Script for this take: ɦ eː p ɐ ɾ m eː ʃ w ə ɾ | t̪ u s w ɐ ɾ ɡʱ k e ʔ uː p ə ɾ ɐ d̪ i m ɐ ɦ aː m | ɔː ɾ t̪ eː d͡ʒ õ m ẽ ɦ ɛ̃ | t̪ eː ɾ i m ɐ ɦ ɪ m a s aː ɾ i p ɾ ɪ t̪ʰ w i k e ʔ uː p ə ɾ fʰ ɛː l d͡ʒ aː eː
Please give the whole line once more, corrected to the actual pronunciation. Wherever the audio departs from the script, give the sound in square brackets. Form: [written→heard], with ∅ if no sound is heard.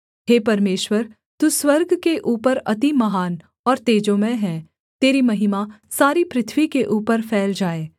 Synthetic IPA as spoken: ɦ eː p ɐ ɾ m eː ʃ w ə ɾ | t̪ u s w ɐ ɾ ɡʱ k e ʔ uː p ə ɾ ɐ [d̪→t̪] i m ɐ ɦ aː [m→n] | ɔː ɾ t̪ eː d͡ʒ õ m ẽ ɦ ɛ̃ | t̪ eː ɾ i m ɐ ɦ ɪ m a s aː ɾ i p ɾ ɪ t̪ʰ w i k e ʔ uː p ə ɾ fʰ ɛː l d͡ʒ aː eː